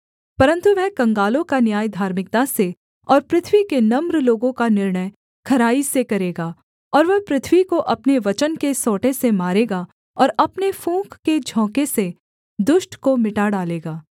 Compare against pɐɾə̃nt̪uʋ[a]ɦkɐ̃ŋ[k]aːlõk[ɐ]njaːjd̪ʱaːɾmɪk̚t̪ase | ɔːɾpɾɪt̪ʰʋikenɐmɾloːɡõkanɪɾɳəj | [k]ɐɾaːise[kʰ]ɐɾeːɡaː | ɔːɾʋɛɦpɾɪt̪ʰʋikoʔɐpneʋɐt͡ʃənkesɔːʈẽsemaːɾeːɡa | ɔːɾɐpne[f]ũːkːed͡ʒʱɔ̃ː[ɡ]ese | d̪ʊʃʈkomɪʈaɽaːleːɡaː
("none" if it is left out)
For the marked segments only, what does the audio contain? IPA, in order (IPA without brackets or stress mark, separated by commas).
ɛ, ɡ, a, kʰ, k, f, k